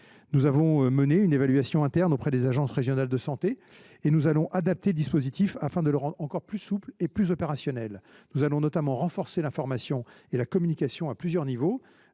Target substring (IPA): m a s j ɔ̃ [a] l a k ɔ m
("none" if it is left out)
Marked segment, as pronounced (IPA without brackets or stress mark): e